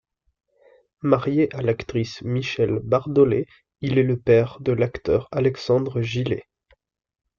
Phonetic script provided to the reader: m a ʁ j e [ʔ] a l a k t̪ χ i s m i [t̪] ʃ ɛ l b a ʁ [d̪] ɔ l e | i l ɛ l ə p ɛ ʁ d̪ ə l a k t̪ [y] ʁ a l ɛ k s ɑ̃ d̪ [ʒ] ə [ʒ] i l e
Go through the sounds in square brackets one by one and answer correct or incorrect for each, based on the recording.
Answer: correct, incorrect, correct, incorrect, incorrect, correct

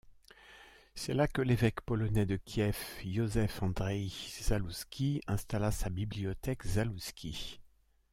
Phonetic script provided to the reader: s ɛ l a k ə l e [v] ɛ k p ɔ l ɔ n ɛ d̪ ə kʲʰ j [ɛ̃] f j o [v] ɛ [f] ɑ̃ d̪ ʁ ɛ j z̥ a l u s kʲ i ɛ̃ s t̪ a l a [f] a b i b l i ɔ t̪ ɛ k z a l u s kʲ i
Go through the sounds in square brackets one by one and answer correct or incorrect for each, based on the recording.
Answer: correct, incorrect, incorrect, correct, incorrect

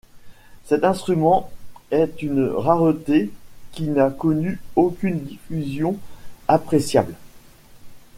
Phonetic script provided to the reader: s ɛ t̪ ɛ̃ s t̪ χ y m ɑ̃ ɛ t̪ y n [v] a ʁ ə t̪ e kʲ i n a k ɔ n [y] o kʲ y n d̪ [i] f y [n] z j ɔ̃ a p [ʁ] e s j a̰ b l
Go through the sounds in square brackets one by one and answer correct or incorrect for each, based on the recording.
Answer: incorrect, correct, correct, incorrect, incorrect

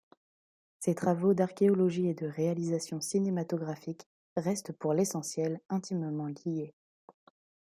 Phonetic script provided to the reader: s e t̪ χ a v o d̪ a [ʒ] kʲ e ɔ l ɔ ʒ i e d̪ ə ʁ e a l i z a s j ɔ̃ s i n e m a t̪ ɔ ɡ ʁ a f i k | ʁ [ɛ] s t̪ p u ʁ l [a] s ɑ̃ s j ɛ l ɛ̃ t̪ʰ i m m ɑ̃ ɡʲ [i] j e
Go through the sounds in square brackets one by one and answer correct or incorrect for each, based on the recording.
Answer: incorrect, correct, incorrect, correct

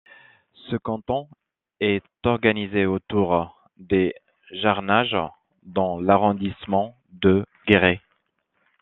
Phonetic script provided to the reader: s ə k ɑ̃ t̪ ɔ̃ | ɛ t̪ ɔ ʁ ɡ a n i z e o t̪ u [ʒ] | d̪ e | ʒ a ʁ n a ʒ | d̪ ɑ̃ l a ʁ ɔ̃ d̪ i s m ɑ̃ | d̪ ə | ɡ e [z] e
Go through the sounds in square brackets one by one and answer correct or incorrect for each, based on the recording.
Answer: incorrect, incorrect

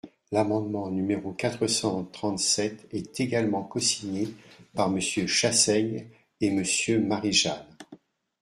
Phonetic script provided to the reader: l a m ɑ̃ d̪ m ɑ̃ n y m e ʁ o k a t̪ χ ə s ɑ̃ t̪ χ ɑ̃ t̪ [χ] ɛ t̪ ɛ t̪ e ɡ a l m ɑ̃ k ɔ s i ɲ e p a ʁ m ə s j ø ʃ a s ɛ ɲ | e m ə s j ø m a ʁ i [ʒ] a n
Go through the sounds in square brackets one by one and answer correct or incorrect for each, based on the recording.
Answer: incorrect, correct

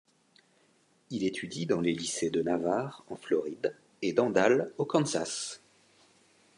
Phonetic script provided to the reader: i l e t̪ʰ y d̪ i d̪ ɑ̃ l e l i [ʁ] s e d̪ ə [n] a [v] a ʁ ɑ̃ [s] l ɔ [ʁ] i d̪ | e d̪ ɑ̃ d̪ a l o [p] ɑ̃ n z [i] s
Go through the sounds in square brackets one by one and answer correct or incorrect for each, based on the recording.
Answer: incorrect, correct, correct, incorrect, correct, incorrect, incorrect

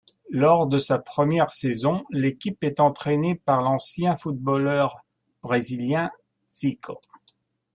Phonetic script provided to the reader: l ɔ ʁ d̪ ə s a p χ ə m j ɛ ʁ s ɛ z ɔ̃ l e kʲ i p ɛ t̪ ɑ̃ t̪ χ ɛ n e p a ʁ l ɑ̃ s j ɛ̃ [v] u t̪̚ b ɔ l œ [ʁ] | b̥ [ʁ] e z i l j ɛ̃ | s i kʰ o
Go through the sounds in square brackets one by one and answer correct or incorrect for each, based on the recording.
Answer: incorrect, correct, correct

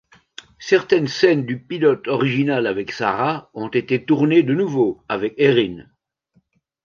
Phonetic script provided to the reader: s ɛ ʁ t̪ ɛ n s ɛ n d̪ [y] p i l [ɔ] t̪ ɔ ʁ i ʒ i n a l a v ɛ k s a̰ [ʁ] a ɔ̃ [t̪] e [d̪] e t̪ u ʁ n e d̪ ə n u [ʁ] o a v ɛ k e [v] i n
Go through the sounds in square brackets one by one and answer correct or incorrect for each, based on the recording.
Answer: correct, correct, correct, correct, incorrect, incorrect, incorrect

